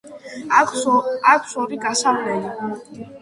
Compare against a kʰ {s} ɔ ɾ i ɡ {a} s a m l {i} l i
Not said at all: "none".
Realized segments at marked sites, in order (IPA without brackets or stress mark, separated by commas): s, a, ɛ